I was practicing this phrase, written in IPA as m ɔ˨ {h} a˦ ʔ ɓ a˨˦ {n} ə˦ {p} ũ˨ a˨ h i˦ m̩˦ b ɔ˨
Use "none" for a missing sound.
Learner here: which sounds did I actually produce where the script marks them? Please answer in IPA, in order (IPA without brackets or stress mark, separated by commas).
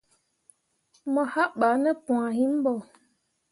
h, n, p